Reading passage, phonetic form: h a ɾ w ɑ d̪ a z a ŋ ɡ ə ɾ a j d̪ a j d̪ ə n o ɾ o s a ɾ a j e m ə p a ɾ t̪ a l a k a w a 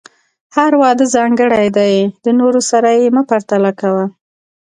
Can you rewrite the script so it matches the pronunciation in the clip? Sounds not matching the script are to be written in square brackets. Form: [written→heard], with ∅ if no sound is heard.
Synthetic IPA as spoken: h a ɾ w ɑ d̪ [a→ə] z [a→ɑ] ŋ ɡ ə [ɾ→ɽ] a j d̪ a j d̪ ə n o ɾ o s a ɾ a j e m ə p a ɾ t̪ a l a k a w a